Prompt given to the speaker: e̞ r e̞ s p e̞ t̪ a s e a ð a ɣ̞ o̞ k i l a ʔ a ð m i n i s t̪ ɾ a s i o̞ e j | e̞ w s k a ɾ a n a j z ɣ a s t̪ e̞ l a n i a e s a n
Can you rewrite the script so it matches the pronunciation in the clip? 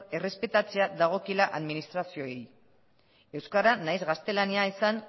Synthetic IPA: e̞ r e̞ s p e̞ t̪ a t͡s e a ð a ɣ̞ o̞ k i l a ʔ a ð m i n i s t̪ ɾ a s i o̞ e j | e̞ w s k a ɾ a n a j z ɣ a s t̪ e̞ l a n i a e s a n